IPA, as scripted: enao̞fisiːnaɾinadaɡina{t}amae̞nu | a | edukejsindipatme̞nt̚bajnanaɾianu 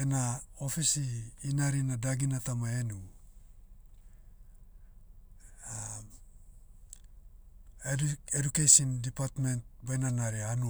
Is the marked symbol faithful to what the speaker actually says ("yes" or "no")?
yes